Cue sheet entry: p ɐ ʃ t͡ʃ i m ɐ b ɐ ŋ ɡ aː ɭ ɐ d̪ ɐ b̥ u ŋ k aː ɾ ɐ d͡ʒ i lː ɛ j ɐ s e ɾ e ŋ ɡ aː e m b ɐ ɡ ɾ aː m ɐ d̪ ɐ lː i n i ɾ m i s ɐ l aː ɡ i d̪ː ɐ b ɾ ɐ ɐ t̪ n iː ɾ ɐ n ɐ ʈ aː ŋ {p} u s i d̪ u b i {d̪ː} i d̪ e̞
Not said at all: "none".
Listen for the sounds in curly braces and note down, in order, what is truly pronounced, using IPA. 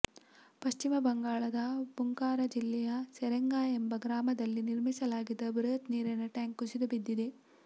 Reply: k, d̪ː

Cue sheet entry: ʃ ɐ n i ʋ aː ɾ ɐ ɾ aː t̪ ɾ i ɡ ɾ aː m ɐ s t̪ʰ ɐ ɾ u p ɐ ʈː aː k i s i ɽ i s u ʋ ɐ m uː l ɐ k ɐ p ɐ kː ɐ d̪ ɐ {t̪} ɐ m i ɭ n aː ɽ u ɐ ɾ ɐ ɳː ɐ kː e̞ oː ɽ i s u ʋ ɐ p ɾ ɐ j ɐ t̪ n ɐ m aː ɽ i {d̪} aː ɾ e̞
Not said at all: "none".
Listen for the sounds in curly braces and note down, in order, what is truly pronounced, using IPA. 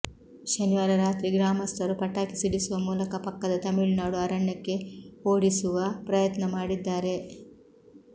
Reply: t̪, d̪ː

